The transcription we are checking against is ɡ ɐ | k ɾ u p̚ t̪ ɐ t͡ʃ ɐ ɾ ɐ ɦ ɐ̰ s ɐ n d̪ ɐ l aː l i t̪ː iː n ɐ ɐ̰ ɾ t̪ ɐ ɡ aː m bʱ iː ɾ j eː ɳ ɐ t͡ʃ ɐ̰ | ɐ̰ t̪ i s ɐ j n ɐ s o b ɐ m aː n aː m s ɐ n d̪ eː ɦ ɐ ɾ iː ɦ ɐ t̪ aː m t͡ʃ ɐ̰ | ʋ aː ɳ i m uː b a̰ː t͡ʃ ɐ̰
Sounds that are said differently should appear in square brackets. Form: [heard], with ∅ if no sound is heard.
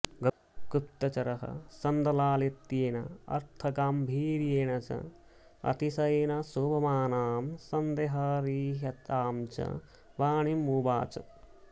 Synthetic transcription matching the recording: ɡ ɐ | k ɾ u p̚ t̪ ɐ t͡ʃ ɐ ɾ ɐ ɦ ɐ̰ s ɐ n d̪ ɐ l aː l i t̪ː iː n ɐ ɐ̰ ɾ [t̪ʰ] ɐ ɡ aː m bʱ iː ɾ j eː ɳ ɐ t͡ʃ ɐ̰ | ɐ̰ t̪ i s ɐ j n ɐ s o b ɐ m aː n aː m s ɐ n d̪ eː ɦ ɐ ɾ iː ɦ ɐ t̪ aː m t͡ʃ ɐ̰ | ʋ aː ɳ i m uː b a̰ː t͡ʃ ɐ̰

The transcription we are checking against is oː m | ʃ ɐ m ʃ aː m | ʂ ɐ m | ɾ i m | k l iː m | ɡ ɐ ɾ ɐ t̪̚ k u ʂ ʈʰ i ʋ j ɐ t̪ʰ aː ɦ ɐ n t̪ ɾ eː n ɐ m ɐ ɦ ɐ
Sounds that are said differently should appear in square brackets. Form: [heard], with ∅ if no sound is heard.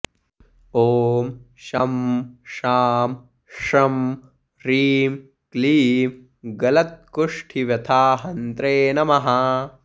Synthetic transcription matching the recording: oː m | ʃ ɐ m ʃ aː m | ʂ ɐ m | ɾ [iː] m | k l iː m | ɡ ɐ [l] ɐ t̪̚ k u ʂ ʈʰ i ʋ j ɐ t̪ʰ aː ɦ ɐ n t̪ ɾ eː n ɐ m ɐ ɦ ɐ

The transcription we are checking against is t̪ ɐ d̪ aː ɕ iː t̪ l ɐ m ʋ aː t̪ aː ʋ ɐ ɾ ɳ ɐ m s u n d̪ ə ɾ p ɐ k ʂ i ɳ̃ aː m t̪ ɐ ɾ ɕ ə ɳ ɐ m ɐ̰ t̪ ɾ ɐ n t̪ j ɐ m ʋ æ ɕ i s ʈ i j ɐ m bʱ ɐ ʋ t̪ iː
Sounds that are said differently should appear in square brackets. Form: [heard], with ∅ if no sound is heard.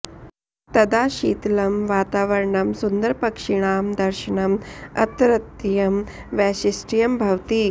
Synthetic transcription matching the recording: t̪ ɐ d̪ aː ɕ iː t̪ l ɐ m ʋ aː t̪ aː ʋ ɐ ɾ ɳ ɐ m s u n d̪ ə ɾ p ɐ k ʂ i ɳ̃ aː m [d̪] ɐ ɾ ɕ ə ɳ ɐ m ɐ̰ t̪ ɾ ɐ [∅] t̪ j ɐ m ʋ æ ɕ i s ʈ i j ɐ m bʱ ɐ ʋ t̪ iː

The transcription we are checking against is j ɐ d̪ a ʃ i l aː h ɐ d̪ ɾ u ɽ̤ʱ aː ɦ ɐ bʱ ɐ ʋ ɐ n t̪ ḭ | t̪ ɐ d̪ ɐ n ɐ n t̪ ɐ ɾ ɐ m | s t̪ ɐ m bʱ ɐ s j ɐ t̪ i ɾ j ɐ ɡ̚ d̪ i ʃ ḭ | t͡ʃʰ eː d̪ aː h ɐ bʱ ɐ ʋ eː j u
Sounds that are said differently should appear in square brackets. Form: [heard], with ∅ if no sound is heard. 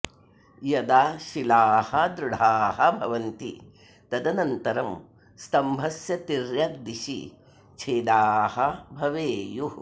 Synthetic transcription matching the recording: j ɐ d̪ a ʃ i l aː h ɐ d̪ ɾ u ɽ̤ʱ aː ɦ ɐ bʱ ɐ ʋ ɐ n t̪ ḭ | t̪ ɐ d̪ ɐ n ɐ n t̪ ɐ ɾ ɐ m | s t̪ ɐ m bʱ ɐ s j ɐ t̪ i ɾ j ɐ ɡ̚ d̪ i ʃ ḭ | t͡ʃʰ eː d̪ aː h ɐ bʱ ɐ ʋ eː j u

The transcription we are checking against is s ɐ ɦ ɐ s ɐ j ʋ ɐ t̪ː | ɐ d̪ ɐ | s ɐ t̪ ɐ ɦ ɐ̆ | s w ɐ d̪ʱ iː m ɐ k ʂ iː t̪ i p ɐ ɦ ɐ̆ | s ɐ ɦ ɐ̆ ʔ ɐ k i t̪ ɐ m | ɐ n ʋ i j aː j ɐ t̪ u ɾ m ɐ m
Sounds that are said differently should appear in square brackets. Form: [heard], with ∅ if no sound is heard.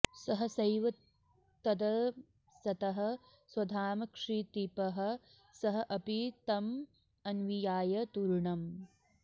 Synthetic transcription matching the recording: s ɐ ɦ ɐ s ɐ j ʋ ɐ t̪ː | ɐ d̪ ɐ | s ɐ t̪ ɐ ɦ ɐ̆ | s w ɐ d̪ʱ [aː] m ɐ k ʂ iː t̪ i p ɐ ɦ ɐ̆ | s ɐ ɦ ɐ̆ ʔ ɐ [p] i t̪ ɐ m | ɐ n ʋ i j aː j ɐ t̪ u ɾ [ɳ] ɐ m

